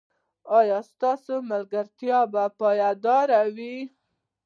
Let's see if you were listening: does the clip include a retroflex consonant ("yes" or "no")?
no